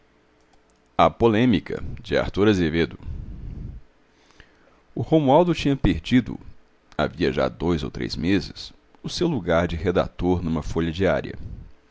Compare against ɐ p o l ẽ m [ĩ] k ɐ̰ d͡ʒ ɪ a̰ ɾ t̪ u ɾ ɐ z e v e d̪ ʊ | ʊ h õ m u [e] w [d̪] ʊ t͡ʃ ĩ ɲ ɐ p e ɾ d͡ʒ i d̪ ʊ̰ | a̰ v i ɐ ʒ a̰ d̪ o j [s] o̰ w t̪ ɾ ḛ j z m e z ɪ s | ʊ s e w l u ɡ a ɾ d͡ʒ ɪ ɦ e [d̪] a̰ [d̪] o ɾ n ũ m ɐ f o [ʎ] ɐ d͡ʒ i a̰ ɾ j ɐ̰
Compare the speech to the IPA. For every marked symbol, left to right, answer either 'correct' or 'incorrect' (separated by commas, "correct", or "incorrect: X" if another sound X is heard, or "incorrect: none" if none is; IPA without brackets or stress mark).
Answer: incorrect: i, incorrect: a, correct, incorrect: z, correct, incorrect: t̪, correct